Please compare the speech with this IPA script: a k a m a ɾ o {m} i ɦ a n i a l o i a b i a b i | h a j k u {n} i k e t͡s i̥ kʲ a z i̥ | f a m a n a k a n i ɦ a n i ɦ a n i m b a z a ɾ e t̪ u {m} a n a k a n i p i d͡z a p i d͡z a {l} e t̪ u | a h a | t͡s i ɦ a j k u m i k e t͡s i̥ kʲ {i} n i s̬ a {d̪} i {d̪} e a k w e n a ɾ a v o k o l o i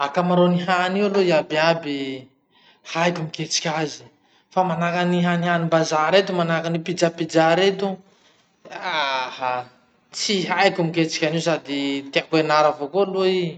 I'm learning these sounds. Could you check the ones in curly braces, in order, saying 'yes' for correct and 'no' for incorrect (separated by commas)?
no, no, yes, no, no, yes, no